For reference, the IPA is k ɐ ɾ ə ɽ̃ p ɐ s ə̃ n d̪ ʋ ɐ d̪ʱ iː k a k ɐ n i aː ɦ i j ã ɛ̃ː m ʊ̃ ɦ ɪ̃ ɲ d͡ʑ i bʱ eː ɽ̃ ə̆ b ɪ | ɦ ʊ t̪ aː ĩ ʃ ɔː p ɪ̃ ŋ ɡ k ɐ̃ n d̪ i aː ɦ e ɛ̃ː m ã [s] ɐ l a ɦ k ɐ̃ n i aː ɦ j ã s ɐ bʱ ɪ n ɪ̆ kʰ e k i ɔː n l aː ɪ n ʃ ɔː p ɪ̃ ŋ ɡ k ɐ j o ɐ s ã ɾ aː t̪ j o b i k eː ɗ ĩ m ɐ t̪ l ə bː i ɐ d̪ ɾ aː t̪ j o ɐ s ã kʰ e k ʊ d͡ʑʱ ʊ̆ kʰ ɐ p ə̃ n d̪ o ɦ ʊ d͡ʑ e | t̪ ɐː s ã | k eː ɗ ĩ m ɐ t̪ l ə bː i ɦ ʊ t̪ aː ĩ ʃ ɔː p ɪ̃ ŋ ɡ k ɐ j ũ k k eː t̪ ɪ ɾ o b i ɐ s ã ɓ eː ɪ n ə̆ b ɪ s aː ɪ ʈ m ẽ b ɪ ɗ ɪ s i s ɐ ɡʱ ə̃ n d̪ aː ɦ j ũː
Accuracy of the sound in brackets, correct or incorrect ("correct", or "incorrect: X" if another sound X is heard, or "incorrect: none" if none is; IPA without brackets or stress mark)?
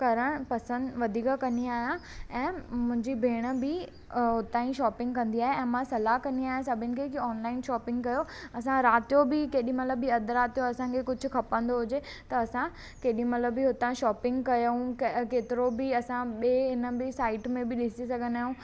correct